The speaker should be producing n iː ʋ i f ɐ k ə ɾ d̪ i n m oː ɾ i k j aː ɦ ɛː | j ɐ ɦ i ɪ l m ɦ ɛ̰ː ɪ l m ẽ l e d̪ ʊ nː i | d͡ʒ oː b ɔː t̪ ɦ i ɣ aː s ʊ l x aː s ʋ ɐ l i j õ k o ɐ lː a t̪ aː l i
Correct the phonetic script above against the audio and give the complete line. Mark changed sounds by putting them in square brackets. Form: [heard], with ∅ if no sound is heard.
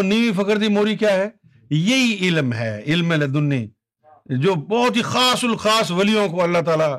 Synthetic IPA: n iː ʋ i f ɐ k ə ɾ d̪ i [∅] m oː ɾ i k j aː ɦ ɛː | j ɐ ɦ i ɪ l m ɦ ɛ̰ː ɪ l m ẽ l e d̪ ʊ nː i | d͡ʒ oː b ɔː t̪ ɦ i [x] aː s ʊ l x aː s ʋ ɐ l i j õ k o ɐ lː a t̪ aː l [a]